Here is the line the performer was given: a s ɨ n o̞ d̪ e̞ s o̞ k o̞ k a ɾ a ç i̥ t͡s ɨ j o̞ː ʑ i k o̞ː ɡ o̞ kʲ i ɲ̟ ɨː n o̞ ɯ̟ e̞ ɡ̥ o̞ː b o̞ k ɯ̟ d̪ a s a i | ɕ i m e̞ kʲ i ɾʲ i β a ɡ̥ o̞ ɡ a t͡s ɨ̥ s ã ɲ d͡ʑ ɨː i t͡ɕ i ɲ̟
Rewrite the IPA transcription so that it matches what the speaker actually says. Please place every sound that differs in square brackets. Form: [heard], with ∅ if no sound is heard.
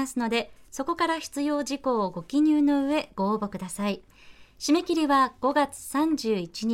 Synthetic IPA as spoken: a s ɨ n o̞ d̪ e̞ s o̞ k o̞ k a ɾ a ç i̥ t͡s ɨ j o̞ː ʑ i k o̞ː ɡ o̞ kʲ i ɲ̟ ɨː n o̞ ɯ̟ e̞ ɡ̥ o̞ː b o̞ k ɯ̟ d̪ a s a i | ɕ i m e̞ kʲ i ɾʲ i β a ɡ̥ o̞ ɡ a t͡s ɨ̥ s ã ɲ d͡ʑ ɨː i t͡ɕ i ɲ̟